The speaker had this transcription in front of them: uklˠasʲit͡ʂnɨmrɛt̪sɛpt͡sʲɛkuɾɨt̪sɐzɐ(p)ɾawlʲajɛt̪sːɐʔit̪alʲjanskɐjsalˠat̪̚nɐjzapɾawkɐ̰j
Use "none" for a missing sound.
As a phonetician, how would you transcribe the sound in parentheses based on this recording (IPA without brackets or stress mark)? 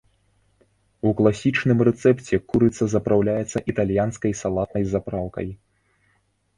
p